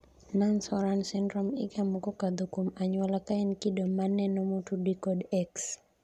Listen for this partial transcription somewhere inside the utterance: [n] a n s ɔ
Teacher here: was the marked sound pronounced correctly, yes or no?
yes